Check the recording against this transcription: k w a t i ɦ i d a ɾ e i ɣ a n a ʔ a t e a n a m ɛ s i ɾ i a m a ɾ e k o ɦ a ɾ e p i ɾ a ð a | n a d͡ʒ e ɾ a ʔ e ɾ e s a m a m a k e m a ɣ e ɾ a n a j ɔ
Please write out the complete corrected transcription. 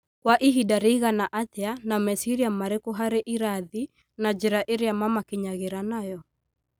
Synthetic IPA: k w a ʔ i ɦ i d a ɾ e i ɣ a n a ʔ a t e a n a m ɛ s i ɾ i a m a ɾ e k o ɦ a ɾ e ʔ i ɾ a ð i | n a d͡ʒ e ɾ a ʔ e ɾ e a m a m a k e ɲ a ɣ e ɾ a n a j ɔ